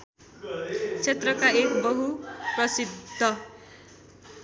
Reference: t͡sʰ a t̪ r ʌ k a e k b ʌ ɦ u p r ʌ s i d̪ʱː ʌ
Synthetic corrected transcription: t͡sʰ e t̪ r ʌ k a e k b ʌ ɦ u p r ʌ s i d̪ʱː ʌ